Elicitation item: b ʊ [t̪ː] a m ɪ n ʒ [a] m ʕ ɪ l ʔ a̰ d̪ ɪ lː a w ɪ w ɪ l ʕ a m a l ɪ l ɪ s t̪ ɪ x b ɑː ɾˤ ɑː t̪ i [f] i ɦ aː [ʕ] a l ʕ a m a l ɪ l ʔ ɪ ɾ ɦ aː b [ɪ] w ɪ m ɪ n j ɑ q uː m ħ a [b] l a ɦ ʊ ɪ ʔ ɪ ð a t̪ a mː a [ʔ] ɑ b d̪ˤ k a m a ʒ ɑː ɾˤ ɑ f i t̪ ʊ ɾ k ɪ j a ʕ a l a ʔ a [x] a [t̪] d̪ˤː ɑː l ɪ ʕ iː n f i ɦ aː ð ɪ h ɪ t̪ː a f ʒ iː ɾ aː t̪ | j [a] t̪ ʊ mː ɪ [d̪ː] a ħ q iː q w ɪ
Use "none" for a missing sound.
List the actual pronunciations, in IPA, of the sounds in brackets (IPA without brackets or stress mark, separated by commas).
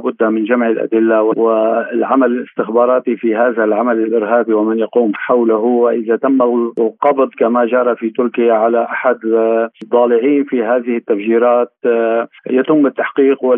d̪ː, a, f, ð, i, w, q, ħ, d̪, a, t̪ː